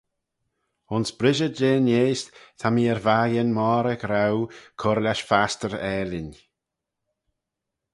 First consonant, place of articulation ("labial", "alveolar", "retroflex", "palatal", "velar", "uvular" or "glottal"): alveolar